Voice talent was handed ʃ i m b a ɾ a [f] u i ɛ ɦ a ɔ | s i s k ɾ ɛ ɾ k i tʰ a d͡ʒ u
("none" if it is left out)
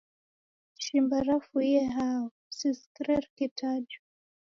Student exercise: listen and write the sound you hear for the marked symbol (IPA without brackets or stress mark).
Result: f